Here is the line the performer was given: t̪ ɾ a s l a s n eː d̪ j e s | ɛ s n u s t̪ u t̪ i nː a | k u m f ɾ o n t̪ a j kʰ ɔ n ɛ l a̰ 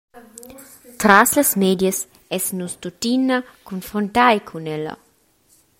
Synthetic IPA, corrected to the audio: t̪ ɾ a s l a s m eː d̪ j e s | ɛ s n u s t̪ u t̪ i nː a | k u n f ɾ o n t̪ a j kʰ u n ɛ l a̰